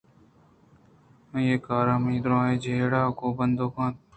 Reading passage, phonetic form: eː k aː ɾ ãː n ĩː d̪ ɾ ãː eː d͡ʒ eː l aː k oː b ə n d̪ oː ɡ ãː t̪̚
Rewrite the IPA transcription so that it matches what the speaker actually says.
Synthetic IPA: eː k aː ɾ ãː m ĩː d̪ ɾ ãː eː d͡ʒ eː ɽ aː k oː b ə n d̪ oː k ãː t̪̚